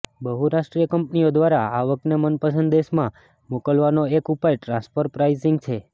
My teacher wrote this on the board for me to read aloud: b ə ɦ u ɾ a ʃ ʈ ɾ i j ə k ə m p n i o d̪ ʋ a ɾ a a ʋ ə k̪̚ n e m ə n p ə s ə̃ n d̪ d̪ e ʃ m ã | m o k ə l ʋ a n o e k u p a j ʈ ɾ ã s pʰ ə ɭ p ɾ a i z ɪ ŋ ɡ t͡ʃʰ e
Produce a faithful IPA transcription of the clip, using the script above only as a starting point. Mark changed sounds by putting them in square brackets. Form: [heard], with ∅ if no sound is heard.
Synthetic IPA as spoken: b ə ɦ u ɾ a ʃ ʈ ɾ i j ə k ə m p n i o d̪ ʋ a ɾ a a ʋ ə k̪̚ n e m ə n p ə s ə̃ n d̪ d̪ e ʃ m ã | m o k ə l ʋ a n o e k u p a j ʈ ɾ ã s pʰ ə [ɾ] p ɾ a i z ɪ ŋ ɡ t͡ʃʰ e